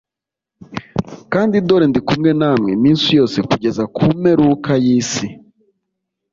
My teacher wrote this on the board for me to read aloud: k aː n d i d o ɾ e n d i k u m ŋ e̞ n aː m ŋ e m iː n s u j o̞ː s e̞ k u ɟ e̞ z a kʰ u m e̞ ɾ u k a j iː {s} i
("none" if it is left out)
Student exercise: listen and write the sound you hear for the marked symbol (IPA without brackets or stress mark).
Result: s